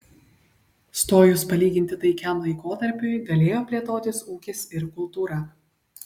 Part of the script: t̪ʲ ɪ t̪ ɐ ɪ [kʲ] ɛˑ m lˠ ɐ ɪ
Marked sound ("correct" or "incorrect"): correct